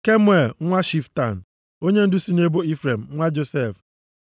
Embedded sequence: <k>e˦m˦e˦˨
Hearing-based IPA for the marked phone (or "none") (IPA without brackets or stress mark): k